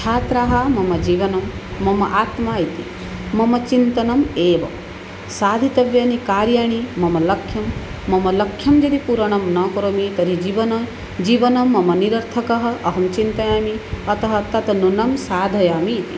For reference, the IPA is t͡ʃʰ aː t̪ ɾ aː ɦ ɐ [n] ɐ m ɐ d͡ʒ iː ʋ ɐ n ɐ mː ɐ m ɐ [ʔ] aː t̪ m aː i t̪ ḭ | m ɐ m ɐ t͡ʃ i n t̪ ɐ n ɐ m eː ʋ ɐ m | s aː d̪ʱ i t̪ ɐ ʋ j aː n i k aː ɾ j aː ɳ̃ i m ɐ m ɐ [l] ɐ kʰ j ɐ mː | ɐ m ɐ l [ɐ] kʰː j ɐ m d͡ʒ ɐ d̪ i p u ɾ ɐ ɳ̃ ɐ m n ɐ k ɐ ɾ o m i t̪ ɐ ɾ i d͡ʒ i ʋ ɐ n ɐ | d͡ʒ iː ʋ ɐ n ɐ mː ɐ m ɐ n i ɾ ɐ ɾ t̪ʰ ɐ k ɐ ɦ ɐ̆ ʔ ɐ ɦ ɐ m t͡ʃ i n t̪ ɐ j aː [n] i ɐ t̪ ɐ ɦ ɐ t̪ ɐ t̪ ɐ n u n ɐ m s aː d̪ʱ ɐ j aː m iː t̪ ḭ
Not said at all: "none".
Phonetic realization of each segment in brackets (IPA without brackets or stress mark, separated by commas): m, ʔ, l, ɐ, m